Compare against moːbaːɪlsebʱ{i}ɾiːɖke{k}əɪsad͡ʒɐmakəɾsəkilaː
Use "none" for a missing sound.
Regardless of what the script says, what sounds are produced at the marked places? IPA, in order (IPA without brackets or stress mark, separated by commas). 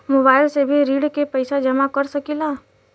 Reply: i, p